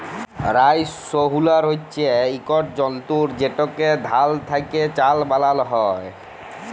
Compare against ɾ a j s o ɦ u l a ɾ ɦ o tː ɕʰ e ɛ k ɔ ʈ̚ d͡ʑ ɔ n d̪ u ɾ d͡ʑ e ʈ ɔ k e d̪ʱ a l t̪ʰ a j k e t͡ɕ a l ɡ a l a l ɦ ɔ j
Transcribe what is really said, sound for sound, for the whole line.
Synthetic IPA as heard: ɾ a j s o ɦ u l a ɾ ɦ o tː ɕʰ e i k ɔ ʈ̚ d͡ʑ ɔ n t̪ u ɾ d͡ʑ e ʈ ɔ k e d̪ʱ a l t̪ʰ a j k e t͡ɕ a l b a l a l ɦ ɔ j

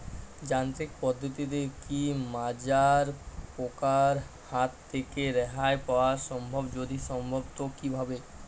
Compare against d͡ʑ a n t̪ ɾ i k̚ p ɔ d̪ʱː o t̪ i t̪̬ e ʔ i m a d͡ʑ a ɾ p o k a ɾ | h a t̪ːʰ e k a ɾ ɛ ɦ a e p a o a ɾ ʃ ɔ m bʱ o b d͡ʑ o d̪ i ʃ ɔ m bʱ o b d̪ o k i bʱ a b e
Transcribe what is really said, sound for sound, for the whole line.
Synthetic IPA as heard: d͡ʑ a n t̪ ɾ i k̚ p ɔ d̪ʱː o t̪ i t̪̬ e k i m a d͡ʑ a ɾ p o k a ɾ | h a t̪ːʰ e k e ɾ ɛ ɦ a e p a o a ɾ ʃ ɔ m bʱ o b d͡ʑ o d̪ i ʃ ɔ m bʱ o b t̪ o k i bʱ a b e

